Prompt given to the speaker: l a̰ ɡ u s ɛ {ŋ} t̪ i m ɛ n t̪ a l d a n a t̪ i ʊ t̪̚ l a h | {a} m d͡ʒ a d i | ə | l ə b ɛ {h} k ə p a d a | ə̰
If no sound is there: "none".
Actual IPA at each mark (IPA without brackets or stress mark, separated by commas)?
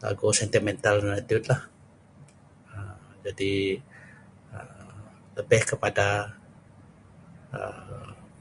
n, ə, h